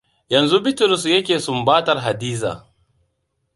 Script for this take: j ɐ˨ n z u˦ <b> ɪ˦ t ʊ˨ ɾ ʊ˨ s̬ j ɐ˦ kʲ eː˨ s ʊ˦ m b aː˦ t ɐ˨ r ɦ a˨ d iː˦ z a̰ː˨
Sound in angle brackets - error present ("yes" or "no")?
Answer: no